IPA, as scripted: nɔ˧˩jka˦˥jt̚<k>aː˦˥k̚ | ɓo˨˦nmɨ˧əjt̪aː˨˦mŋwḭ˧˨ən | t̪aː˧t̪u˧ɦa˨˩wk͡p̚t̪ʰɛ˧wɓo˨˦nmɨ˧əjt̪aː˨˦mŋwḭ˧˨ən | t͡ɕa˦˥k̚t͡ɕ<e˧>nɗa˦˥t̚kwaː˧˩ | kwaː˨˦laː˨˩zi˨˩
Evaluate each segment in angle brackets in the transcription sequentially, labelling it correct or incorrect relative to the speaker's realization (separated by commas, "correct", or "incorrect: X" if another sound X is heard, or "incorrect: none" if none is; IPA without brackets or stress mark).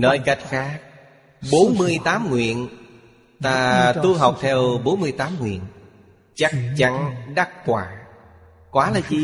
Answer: incorrect: x, incorrect: a˧